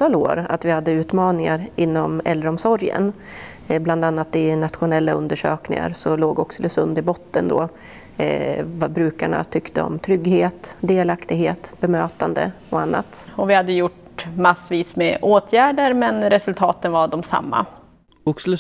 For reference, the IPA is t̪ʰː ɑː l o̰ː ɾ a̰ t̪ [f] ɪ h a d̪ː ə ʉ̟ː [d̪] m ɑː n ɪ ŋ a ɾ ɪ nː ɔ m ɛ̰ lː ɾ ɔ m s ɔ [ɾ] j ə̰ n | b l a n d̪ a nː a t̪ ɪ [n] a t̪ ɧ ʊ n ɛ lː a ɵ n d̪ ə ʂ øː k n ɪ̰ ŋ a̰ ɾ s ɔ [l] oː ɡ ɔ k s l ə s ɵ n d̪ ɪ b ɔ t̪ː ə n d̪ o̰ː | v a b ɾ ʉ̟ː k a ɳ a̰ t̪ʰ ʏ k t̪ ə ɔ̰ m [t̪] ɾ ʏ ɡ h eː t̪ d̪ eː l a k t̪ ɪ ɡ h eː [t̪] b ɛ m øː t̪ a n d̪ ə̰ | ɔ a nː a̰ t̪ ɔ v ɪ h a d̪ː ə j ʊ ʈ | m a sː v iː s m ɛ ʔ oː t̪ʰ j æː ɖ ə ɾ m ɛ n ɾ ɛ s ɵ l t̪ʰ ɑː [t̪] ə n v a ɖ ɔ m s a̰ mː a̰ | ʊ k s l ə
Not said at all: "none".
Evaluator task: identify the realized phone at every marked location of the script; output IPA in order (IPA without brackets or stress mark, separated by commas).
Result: v, t̪, ɾ, n, l, t̪ʰ, t̪, t̪